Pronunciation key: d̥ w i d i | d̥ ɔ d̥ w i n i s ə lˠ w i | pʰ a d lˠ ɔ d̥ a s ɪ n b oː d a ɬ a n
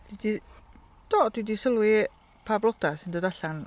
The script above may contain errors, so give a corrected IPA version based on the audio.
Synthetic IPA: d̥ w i d i | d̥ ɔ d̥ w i d i s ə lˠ w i | pʰ a b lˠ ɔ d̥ a s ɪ n d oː d a ɬ a n